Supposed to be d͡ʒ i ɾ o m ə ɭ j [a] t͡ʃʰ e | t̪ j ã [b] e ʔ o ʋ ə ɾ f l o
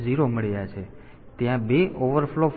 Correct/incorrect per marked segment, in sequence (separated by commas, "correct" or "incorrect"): correct, correct